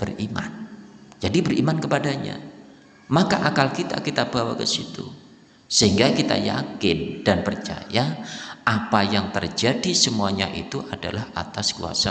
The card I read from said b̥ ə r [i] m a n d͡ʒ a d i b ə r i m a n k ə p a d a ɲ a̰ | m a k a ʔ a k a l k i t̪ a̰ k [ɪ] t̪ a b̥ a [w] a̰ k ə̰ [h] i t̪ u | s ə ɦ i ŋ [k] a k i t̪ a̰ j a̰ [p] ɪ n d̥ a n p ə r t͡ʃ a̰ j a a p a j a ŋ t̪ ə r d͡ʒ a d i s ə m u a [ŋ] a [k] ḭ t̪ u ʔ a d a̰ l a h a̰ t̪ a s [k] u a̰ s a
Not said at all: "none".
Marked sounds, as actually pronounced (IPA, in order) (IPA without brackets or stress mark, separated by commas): i, i, w, s, ɡ, k, ɲ, ʔ, k